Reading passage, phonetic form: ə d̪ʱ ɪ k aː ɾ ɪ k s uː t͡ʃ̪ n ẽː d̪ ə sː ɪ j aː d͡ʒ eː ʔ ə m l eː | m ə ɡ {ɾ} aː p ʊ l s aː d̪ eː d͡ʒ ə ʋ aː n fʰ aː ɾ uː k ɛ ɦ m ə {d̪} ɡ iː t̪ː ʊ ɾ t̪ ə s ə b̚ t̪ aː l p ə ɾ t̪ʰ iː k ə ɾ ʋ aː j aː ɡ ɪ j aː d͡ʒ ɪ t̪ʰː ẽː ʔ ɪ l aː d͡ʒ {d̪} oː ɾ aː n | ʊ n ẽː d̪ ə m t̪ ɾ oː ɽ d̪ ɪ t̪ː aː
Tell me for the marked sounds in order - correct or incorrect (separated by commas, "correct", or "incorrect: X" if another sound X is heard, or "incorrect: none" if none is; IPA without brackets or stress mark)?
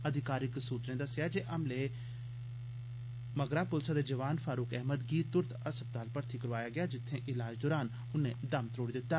correct, correct, correct